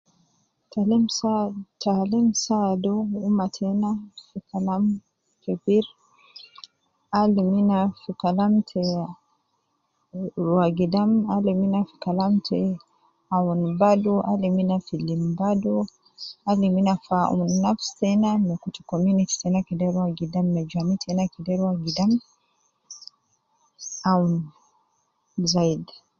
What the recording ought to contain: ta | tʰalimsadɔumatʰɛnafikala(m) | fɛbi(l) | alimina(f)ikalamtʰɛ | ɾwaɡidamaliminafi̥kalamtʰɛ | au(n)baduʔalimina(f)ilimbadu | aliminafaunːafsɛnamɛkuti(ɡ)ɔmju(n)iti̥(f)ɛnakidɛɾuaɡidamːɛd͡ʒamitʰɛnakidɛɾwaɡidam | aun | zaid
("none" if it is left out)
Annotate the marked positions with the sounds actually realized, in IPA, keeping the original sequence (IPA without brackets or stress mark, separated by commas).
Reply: m, ɾ, f, n, f, k, n, s